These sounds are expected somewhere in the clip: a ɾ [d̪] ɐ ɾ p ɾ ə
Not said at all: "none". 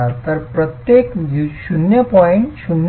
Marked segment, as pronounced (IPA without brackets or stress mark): t̪